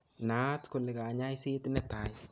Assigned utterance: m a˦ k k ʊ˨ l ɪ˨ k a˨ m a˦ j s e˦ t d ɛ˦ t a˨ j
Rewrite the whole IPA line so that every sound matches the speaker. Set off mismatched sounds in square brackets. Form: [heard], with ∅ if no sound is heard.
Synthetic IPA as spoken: [n] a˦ [t] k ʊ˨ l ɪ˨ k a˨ [ɲ] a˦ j s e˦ t [n] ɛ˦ t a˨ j